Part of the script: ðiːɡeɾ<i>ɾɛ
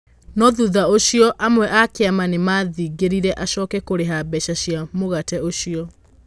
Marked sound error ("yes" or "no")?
no